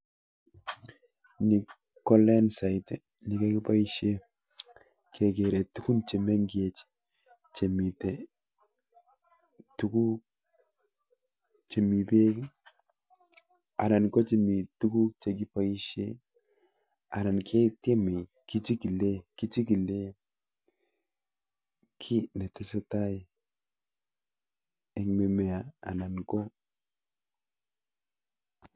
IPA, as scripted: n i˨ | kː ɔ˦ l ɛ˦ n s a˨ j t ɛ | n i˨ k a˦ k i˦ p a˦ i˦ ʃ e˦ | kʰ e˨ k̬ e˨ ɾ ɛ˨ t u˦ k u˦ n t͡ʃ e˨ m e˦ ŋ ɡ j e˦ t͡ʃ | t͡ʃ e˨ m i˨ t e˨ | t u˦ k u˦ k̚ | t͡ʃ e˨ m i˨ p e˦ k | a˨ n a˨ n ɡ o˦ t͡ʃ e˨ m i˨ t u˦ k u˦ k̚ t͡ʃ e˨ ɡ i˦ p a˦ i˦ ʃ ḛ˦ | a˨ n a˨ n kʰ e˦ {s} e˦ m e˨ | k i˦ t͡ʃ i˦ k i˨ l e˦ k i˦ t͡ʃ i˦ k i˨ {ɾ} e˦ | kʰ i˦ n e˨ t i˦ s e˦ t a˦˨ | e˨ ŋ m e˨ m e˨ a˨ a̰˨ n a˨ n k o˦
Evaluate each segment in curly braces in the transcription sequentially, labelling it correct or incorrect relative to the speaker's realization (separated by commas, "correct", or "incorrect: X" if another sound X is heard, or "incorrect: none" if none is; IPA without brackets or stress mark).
incorrect: t, incorrect: l